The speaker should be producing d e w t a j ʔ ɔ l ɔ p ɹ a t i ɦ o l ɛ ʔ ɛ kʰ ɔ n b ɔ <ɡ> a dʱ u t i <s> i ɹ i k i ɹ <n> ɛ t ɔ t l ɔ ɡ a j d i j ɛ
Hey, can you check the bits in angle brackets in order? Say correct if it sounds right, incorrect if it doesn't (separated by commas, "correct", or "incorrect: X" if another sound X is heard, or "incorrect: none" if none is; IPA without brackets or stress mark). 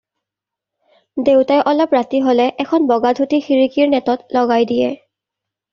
correct, incorrect: x, correct